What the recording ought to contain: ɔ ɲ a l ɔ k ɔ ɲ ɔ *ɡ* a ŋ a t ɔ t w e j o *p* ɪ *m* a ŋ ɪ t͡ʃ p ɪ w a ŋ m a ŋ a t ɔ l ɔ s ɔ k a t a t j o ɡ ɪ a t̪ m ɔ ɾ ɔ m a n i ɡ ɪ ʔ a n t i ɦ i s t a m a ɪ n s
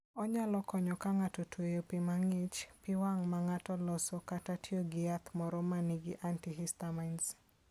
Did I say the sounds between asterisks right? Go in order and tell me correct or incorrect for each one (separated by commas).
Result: incorrect, correct, correct